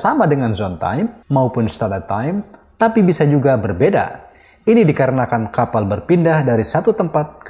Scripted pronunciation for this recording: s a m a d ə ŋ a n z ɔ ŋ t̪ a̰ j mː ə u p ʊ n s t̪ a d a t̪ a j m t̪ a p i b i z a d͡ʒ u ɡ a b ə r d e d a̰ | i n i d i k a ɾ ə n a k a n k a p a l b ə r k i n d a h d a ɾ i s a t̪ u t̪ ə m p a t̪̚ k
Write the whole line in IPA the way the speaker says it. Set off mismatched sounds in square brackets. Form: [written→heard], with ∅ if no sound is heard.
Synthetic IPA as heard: s a m a d ə ŋ a n z ɔ [ŋ→n] t̪ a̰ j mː [ə→a] u p ʊ n s t̪ a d a t̪ a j m t̪ a p i b i [z→s] a d͡ʒ u ɡ a b ə r [d→b] e d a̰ | i n i d i k a ɾ ə n a k a n k a p a l b ə r [k→p] i n d a h d a ɾ i s a t̪ u t̪ ə m p a t̪̚ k

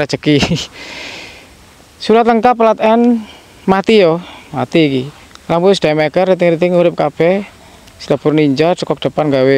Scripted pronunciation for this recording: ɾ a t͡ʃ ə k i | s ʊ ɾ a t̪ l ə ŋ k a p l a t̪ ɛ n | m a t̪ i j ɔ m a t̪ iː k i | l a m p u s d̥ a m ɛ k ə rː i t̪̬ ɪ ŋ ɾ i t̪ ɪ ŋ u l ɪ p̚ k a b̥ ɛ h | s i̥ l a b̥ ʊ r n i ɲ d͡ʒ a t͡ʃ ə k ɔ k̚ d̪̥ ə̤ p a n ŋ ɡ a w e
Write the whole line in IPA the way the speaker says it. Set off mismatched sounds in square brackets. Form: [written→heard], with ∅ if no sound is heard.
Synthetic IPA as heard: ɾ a t͡ʃ ə k i | s [ʊ→u] ɾ a t̪ l ə ŋ k a p l a t̪ ɛ n | m a t̪ i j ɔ m a t̪ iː k i | l a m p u s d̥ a m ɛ k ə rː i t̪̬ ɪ ŋ ɾ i t̪ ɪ ŋ u [l→ɾ] ɪ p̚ k a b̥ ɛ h | s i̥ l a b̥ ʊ r n i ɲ d͡ʒ a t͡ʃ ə k ɔ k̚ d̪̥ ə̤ p a n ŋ ɡ a w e

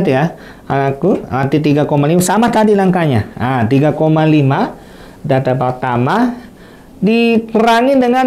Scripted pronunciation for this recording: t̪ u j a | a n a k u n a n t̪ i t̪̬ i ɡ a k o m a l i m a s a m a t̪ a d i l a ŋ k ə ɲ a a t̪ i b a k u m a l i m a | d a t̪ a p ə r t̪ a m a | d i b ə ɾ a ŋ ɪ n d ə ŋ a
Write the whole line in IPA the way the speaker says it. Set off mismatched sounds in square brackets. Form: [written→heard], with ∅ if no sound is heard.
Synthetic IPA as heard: t̪ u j a | a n a k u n a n t̪ i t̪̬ i ɡ a k o m a l i m a s a m a t̪ a d i l a ŋ k [ə→a] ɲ a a t̪ i [b→ɡ] a k [u→o] m a l i m a | d a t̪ a p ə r t̪ a m a | d i [b→p] ə ɾ a ŋ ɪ n d ə ŋ a

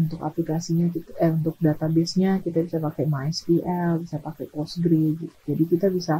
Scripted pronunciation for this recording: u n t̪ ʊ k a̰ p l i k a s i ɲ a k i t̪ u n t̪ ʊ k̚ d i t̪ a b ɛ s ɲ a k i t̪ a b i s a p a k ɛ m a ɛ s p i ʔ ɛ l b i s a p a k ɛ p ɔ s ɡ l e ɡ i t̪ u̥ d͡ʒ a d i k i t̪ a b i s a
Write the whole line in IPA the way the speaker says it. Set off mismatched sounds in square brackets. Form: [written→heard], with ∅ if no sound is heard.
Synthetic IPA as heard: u n t̪ ʊ k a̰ p l i k a s i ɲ a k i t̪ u n t̪ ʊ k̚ d [i→a] t̪ a b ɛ s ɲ a k i t̪ a b i s a p a k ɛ m a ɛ s p i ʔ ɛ l b i s a p a k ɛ p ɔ s ɡ [l→ɾ] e ɡ i t̪ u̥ d͡ʒ a d i k i t̪ a b i s a

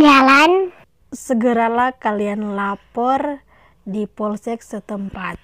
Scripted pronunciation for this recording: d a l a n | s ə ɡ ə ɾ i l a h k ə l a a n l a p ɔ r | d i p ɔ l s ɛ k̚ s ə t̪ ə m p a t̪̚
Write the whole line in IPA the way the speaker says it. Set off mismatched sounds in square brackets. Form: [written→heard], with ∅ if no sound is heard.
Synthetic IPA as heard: [d→d͡ʒ] a l a n | s ə ɡ ə ɾ [i→a] l a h k [ə→a] l [a→i] a n l a p ɔ r | d i p ɔ l s ɛ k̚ s ə t̪ ə m p a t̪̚

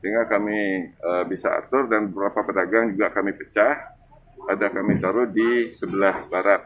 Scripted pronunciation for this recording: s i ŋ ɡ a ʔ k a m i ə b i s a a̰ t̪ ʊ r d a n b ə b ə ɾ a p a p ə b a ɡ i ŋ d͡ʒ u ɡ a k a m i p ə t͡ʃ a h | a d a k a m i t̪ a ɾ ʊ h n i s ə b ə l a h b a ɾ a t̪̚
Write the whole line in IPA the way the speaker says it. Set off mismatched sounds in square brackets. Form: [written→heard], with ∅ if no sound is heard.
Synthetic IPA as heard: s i ŋ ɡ a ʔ k a m i ə b i s a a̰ t̪ ʊ r d a n b ə b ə ɾ a p a p ə [b→d] a ɡ [i→a] ŋ d͡ʒ u ɡ a k a m i p ə t͡ʃ a h | a d a k a m i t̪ a ɾ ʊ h [n→d] i s ə b ə l a h b a ɾ a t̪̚

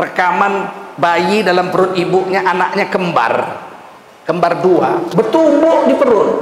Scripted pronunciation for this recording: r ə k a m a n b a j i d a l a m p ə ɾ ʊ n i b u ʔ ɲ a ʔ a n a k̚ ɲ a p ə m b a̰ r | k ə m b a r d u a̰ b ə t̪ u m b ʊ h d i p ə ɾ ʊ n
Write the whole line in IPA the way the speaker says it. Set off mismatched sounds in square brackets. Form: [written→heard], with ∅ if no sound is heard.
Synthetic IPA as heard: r ə k a m a n b a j i d a l a m p ə ɾ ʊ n i b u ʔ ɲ a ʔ a n a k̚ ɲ a [p→k] ə m b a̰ r | k ə m b a r d u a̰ b ə t̪ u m b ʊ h d i p ə ɾ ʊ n

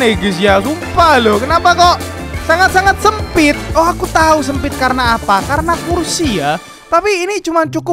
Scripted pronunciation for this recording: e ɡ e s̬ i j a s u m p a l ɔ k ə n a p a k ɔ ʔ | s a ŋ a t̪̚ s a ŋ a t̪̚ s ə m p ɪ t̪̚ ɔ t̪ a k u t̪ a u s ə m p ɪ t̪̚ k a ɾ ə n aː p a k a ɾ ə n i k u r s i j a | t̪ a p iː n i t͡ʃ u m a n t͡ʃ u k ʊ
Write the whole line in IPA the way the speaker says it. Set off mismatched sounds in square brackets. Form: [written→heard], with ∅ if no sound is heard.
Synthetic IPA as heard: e ɡ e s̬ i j a s u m p a l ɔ k ə n a p a k ɔ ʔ | s a ŋ a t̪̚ s a ŋ a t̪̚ s ə m p ɪ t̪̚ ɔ [t̪→∅] a k u t̪ a u s ə m p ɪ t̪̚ k a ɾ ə n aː p a k a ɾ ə n [i→a] k u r s i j a | t̪ a p iː n i t͡ʃ u m a n t͡ʃ u k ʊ

